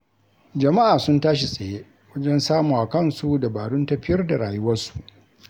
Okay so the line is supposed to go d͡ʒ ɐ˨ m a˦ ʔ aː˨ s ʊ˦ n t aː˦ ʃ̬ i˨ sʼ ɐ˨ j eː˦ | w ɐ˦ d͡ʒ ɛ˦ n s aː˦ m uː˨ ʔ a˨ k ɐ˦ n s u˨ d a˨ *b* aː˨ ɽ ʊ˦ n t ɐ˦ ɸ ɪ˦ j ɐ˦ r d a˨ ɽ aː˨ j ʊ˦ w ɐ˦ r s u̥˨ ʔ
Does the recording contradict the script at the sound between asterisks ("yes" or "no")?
no